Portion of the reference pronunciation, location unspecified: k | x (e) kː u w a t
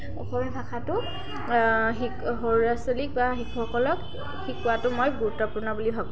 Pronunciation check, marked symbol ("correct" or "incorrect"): incorrect